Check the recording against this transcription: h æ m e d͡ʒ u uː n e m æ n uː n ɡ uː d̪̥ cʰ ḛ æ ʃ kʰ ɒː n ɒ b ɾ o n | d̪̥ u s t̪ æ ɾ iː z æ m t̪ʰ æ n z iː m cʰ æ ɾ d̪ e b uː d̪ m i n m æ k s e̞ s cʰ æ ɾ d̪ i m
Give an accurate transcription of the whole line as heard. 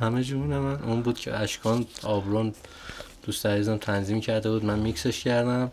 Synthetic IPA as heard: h æ m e d͡ʒ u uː n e m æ n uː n b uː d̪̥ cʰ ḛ æ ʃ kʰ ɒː n ɒ b ɾ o n | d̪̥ u s t̪ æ ɾ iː z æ m t̪ʰ æ n z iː m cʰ æ ɾ d̪ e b uː d̪ m æ n m i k s e̞ ʃ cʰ æ ɾ d̪ æ m